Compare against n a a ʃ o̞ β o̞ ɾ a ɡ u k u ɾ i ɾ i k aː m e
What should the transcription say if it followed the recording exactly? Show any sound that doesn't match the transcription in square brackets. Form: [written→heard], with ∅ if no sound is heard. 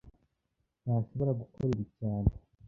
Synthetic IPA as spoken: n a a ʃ o̞ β o̞ ɾ a ɡ u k [u→o] ɾ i ɾ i [k→c] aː [m→n] e

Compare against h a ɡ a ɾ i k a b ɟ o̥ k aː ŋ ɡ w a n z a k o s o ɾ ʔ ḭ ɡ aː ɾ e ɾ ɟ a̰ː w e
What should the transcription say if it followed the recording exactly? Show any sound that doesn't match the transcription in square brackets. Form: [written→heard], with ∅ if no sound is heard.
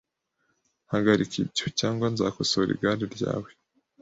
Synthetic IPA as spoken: h a ɡ a ɾ i k [a→i] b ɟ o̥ [k→c] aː ŋ ɡ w a n z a k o s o ɾ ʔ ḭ ɡ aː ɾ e ɾ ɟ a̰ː w e

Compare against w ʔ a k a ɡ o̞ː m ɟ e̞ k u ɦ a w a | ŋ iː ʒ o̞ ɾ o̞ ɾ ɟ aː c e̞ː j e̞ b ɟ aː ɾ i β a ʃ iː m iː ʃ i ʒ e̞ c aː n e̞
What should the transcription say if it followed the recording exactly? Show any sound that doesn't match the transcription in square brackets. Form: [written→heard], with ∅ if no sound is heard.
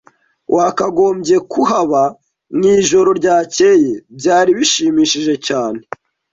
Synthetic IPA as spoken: w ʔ a k a ɡ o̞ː m ɟ e̞ k u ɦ a [w→β] a | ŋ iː ʒ o̞ ɾ o̞ ɾ ɟ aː c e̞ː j e̞ b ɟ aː ɾ i β [a→i] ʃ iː m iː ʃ i ʒ e̞ c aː n e̞

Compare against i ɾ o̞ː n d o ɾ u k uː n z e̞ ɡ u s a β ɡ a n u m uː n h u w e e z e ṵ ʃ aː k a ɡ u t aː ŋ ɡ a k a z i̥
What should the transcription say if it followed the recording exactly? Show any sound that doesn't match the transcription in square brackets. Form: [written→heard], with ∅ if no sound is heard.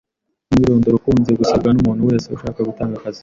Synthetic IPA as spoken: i ɾ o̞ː n d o ɾ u k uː n z e̞ ɡ u s a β ɡ a n u m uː n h u w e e [z→s] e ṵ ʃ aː k a ɡ u t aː ŋ ɡ a k a z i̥

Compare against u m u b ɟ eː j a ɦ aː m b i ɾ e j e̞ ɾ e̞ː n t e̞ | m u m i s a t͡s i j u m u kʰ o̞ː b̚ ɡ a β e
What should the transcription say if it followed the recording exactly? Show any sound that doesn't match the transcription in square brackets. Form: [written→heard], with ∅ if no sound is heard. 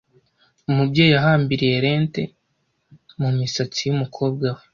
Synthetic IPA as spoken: u m u b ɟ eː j a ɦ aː m b i ɾ [e→i] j e̞ ɾ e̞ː n t e̞ | m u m i s a t͡s i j u m u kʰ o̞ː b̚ ɡ a [β→w] e

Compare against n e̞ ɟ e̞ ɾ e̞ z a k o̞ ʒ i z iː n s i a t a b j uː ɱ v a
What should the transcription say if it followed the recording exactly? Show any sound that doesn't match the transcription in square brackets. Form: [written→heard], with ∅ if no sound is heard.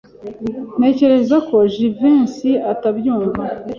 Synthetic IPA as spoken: n e̞ [ɟ→c] e̞ ɾ e̞ z a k o̞ ʒ i [z→v] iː n s i a t a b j uː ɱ v a

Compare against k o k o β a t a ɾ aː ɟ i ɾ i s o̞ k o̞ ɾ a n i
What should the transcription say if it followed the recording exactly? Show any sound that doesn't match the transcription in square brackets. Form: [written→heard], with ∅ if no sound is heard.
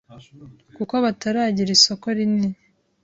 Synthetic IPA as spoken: k [o→u] k o β a t a ɾ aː ɟ i ɾ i s o̞ k o̞ ɾ [a→i] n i

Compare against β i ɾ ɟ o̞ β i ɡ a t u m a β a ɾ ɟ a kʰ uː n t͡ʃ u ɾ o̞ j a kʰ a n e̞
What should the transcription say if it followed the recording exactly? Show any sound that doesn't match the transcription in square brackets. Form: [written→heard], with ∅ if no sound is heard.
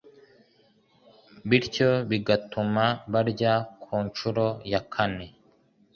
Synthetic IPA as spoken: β i ɾ [ɟ→c] o̞ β i ɡ a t u m a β a ɾ ɟ a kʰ uː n t͡ʃ u ɾ o̞ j a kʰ a n e̞

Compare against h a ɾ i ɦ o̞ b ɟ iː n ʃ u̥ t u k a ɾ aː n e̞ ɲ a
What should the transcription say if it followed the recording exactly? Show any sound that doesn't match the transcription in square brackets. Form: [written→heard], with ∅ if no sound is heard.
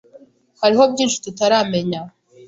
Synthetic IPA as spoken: h a ɾ i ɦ o̞ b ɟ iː n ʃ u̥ t u [k→t] a ɾ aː [n→m] e̞ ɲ a

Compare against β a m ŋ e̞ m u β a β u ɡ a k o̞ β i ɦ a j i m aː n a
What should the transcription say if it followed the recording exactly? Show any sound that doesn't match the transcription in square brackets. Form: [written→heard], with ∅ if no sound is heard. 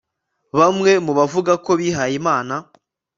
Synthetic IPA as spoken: β a m ŋ e̞ m u β a [β→v] u ɡ a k o̞ β i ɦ a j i m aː n a

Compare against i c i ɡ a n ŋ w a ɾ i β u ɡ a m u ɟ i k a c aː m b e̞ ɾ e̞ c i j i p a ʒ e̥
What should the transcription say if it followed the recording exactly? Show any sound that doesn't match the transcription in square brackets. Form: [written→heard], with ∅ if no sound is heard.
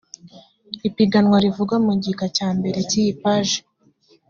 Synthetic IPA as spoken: i [c→p] i ɡ a n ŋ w a ɾ i [β→v] u ɡ a m u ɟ i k a c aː m b e̞ ɾ e̞ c i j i p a ʒ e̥

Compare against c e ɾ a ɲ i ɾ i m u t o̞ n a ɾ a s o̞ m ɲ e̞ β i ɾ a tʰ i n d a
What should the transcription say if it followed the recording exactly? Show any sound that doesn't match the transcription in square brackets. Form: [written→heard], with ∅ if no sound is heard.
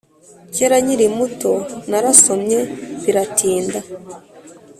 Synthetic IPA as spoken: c e ɾ a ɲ i ɾ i m u t o̞ n a ɾ a s o̞ m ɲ e̞ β i ɾ a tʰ [i→iː] n d a

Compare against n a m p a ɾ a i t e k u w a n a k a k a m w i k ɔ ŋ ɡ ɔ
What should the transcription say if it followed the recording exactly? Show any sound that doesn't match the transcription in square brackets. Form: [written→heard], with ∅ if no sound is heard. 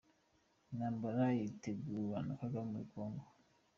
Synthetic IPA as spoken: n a m [p→b] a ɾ a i t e [k→ɡ] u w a n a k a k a m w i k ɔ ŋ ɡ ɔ

